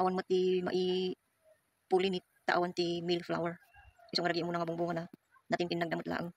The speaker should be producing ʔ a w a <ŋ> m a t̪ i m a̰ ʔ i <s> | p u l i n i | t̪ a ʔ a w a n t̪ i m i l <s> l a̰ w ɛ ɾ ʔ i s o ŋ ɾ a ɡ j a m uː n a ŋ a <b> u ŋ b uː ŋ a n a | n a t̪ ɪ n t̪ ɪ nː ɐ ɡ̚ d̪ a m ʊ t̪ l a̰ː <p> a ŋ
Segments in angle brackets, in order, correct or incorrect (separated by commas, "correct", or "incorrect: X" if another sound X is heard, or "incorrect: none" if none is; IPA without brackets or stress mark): incorrect: n, incorrect: none, incorrect: f, correct, incorrect: ʔ